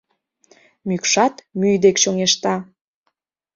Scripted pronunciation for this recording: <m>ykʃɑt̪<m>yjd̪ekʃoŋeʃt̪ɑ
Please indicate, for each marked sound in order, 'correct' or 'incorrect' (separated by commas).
correct, correct